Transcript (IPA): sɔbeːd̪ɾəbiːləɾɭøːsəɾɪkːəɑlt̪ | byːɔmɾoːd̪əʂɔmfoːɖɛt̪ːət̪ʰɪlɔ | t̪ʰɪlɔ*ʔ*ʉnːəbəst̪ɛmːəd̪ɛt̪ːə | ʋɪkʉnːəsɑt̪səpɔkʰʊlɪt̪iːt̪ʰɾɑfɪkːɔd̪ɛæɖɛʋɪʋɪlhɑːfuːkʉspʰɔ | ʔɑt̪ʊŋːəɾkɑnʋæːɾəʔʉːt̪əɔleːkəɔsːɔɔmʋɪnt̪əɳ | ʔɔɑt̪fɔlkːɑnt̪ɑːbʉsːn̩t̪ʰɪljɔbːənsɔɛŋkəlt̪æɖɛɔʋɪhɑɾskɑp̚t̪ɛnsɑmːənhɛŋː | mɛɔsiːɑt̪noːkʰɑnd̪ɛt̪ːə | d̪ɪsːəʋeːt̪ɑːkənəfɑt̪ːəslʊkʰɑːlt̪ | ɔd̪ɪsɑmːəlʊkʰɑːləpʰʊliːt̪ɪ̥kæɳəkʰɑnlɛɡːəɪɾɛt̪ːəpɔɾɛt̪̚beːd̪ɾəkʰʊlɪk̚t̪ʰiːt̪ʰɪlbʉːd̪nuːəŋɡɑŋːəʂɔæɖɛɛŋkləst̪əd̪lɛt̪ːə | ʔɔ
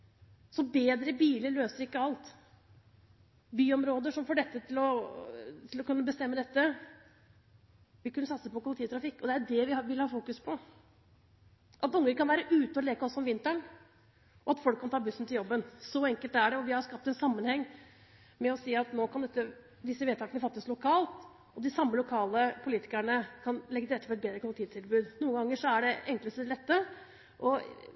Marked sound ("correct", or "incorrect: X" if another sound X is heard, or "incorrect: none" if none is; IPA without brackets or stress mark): incorrect: k